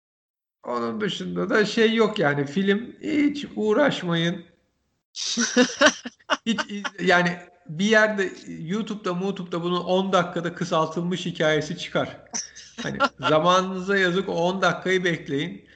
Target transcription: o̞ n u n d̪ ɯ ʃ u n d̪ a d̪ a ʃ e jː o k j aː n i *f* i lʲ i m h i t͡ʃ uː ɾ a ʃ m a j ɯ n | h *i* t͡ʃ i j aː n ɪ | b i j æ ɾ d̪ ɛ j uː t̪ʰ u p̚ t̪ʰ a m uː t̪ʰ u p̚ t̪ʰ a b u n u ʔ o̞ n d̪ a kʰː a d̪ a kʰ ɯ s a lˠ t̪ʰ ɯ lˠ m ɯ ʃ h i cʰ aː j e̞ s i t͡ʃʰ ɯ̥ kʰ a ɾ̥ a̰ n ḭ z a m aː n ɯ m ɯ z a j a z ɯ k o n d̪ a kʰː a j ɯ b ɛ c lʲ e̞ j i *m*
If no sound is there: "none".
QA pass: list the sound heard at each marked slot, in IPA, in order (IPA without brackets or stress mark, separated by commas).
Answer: f, i, n